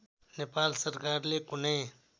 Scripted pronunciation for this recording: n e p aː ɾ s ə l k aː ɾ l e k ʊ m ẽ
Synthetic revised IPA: n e p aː l s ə ɾ k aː ɾ l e k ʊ n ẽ